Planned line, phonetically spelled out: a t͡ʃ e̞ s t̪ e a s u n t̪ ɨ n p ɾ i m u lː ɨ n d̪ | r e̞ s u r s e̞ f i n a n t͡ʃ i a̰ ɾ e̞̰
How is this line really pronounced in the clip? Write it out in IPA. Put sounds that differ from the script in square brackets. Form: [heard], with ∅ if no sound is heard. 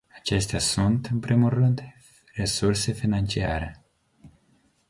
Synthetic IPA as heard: a t͡ʃ e̞ s t̪ e a s u n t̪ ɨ n p ɾ i m u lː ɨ n d̪ | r e̞ s u r s e̞ f i n a n t͡ʃ i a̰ ɾ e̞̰